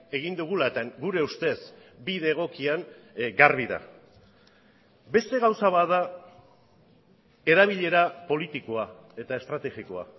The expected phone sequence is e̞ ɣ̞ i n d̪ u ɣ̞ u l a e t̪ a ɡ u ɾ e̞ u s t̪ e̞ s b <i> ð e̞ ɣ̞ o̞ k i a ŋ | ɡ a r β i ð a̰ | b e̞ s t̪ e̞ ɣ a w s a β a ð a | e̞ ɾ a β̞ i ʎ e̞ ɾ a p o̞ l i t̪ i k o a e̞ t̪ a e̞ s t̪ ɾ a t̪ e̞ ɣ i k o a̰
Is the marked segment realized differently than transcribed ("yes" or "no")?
no